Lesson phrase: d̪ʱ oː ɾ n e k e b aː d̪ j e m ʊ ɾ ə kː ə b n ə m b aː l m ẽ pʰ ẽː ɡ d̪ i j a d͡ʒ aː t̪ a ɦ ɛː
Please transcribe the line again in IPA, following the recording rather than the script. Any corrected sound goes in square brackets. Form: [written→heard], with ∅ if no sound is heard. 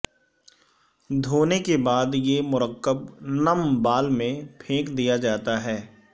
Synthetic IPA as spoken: d̪ʱ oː [ɾ→∅] n e k e b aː d̪ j e m ʊ ɾ ə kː ə b n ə m b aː l m ẽ pʰ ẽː [ɡ→k] d̪ i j a d͡ʒ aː t̪ a ɦ ɛː